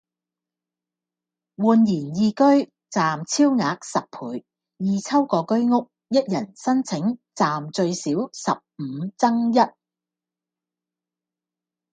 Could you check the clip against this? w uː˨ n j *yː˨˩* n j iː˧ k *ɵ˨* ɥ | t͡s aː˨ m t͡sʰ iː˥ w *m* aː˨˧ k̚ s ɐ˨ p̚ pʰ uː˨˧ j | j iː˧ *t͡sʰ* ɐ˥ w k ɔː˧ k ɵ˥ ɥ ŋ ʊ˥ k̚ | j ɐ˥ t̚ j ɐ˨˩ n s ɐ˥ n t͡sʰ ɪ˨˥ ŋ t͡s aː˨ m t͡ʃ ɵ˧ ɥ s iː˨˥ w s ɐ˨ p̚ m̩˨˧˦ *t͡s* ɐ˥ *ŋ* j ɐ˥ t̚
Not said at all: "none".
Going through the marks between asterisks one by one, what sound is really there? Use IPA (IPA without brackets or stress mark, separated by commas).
iː˨˩, ɵ˥, ŋ, t͡sʰ, t͡s, ŋ